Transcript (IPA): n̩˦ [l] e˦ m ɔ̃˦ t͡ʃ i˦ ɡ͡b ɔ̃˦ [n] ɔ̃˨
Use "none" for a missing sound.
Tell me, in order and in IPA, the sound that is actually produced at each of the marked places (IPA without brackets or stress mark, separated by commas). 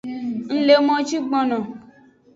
l, n